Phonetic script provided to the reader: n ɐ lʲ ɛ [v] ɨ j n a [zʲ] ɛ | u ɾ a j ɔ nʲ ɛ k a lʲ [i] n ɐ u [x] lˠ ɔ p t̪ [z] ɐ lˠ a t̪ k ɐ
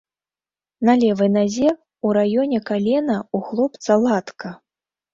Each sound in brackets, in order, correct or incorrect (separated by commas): correct, correct, incorrect, correct, incorrect